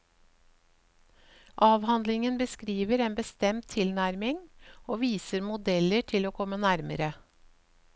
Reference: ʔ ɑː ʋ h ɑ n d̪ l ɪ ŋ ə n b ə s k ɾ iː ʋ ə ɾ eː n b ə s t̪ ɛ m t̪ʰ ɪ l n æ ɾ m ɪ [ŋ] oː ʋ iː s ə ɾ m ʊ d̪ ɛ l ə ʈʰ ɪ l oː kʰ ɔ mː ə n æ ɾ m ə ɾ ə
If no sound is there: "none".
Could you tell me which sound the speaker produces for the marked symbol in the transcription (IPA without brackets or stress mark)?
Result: ŋ